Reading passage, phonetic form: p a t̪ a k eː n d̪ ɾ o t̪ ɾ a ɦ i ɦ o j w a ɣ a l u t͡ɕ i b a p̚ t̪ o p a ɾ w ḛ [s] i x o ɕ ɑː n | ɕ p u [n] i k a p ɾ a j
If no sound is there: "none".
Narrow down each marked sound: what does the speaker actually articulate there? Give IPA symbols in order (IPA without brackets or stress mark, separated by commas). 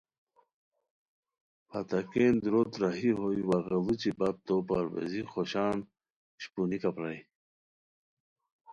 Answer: z, n